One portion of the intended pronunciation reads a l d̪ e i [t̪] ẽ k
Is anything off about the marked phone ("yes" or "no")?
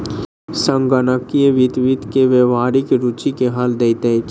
no